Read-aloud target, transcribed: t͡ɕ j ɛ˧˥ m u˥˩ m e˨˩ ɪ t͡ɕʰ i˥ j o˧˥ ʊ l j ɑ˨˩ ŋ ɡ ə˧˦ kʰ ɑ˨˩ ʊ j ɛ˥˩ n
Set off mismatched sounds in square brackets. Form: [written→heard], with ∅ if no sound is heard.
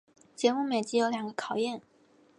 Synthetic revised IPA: t͡ɕ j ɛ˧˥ m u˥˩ m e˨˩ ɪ [t͡ɕʰ→t͡ɕ] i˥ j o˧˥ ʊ l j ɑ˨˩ ŋ ɡ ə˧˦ kʰ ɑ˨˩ ʊ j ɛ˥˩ n